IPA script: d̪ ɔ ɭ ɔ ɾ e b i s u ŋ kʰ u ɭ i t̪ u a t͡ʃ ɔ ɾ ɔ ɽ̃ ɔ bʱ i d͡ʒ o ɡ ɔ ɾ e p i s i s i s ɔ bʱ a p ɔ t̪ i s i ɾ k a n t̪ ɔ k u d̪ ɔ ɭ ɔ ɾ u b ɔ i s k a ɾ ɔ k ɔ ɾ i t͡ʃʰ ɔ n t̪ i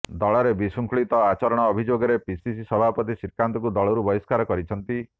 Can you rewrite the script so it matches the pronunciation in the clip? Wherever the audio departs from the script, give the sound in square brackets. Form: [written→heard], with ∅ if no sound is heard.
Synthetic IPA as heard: d̪ ɔ ɭ ɔ ɾ e b i s u ŋ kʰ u ɭ i t̪ [u→ɔ] a t͡ʃ ɔ ɾ ɔ ɽ̃ [ɔ→ɔː] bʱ i d͡ʒ o ɡ ɔ ɾ e p i s i s i s ɔ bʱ a p ɔ t̪ i s i ɾ k a n t̪ ɔ k u d̪ ɔ ɭ ɔ ɾ u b ɔ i s k a ɾ ɔ k ɔ ɾ i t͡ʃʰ ɔ n t̪ i